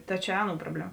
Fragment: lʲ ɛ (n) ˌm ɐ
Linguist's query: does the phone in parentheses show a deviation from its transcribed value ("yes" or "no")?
yes